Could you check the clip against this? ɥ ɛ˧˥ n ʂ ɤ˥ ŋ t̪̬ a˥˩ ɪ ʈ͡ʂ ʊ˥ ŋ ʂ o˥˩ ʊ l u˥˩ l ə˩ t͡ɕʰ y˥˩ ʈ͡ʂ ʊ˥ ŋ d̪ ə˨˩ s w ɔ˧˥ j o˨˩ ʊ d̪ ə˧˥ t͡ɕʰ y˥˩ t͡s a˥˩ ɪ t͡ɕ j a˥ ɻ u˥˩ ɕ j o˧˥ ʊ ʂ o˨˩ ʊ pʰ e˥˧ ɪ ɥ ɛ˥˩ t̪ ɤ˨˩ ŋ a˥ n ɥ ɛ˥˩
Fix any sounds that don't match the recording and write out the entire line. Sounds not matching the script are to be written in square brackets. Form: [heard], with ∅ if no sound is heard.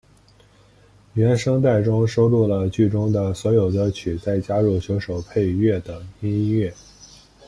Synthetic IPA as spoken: ɥ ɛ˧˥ n ʂ ɤ˥ ŋ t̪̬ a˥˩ ɪ ʈ͡ʂ ʊ˥ ŋ ʂ [o˥] ʊ l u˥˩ l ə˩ [t͡ɕ] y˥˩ ʈ͡ʂ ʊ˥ ŋ d̪ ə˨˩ s w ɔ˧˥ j o˨˩ ʊ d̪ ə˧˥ t͡ɕʰ [y˨˩] t͡s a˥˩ ɪ t͡ɕ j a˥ ɻ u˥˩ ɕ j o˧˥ ʊ ʂ o˨˩ ʊ pʰ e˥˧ ɪ ɥ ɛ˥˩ t̪ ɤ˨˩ ŋ [i˥] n ɥ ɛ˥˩